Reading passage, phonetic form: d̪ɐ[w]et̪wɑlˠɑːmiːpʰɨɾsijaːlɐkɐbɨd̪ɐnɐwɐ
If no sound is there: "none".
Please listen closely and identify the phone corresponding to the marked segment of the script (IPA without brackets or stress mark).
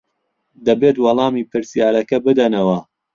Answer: b